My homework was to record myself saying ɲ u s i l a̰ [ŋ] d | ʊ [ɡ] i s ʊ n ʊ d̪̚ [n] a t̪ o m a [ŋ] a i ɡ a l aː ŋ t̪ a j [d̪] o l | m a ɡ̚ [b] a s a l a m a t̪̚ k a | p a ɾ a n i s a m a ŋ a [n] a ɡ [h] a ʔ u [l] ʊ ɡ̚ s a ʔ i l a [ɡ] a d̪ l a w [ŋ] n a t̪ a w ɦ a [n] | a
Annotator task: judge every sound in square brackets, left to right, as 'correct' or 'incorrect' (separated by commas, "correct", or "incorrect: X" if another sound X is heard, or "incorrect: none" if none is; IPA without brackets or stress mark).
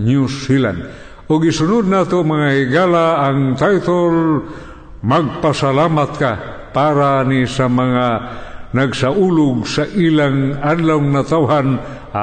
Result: incorrect: n, correct, correct, correct, incorrect: t̪, incorrect: p, correct, incorrect: s, correct, incorrect: ŋ, correct, correct